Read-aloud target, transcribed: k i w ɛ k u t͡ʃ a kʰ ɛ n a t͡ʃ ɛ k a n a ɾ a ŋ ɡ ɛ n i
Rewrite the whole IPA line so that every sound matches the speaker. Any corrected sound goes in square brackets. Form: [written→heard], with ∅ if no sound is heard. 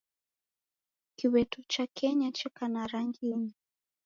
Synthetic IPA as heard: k i w ɛ [k→t] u t͡ʃ a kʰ ɛ [n→ɲ] a t͡ʃ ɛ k a n a ɾ a ŋ ɡ [ɛ→i] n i